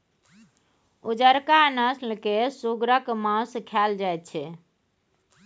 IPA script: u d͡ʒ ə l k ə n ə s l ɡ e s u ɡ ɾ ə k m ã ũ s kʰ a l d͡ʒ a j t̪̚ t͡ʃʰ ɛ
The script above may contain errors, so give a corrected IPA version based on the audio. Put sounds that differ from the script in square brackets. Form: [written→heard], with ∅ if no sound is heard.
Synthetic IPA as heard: u d͡ʒ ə [l→ɾ] k [ə→a] n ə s l [ɡ→k] e s u ɡ ɾ ə k m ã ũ s kʰ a l d͡ʒ a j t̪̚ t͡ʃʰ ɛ